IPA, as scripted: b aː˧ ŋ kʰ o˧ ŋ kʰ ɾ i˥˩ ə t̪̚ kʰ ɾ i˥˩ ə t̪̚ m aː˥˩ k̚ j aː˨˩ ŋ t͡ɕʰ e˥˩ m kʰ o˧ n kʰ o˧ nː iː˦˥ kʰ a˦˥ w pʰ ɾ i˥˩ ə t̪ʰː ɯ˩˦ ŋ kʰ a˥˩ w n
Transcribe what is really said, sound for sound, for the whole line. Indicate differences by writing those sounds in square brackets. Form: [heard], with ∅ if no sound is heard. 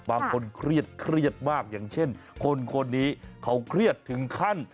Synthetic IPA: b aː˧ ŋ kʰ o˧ [n] kʰ ɾ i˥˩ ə t̪̚ kʰ ɾ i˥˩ ə t̪̚ m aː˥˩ k̚ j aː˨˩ ŋ t͡ɕʰ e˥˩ [n] kʰ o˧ n kʰ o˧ nː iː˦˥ kʰ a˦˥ w [kʰ] ɾ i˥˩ ə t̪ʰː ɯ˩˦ ŋ kʰ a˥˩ [∅] n